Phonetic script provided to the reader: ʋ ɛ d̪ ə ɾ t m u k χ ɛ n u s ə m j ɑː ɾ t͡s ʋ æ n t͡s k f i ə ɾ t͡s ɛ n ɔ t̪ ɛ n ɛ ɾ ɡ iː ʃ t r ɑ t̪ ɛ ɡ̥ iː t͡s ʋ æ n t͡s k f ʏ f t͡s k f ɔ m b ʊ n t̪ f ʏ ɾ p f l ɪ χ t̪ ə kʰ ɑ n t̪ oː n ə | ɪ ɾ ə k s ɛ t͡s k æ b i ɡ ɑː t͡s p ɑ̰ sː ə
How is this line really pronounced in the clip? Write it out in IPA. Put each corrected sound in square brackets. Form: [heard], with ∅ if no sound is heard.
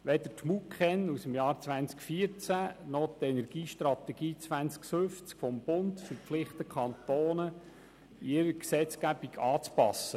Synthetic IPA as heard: ʋ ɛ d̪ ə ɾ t m u k χ ɛ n u s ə m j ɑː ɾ t͡s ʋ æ n t͡s k f i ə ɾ t͡s [æ] n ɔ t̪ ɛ n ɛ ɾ ɡ iː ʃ t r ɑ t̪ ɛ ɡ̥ iː t͡s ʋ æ n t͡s k f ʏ f t͡s k f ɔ m b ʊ n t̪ f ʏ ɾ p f l ɪ χ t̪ ə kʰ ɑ n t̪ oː n ə | ɪ ɾ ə k s ɛ t͡s k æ b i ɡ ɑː t͡s p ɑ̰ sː ə